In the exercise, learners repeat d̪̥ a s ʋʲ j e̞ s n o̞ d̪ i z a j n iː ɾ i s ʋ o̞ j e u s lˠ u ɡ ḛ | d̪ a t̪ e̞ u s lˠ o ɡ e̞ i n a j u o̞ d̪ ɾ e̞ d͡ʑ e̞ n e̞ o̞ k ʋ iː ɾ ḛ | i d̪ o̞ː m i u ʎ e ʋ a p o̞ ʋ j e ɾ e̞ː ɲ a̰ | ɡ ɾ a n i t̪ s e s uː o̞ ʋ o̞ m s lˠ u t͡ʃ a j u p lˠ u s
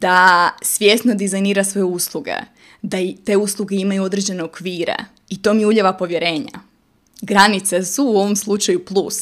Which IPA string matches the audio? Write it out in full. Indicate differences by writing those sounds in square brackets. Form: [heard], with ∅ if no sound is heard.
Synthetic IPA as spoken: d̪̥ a s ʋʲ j e̞ s n o̞ d̪ i z a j n iː ɾ [a] s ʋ o̞ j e u s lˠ u ɡ ḛ | d̪ a t̪ e̞ u s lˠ [u] ɡ e̞ i [m] a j u o̞ d̪ ɾ e̞ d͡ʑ e̞ n e̞ o̞ k ʋ iː ɾ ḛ | i [t̪] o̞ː m i u ʎ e ʋ a p o̞ ʋ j e ɾ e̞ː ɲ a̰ | ɡ ɾ a n i t̪ s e s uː o̞ ʋ o̞ m s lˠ u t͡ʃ a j u p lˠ u s